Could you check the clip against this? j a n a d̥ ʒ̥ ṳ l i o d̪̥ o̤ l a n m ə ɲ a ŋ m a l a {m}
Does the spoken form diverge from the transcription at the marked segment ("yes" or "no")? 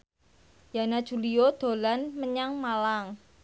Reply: yes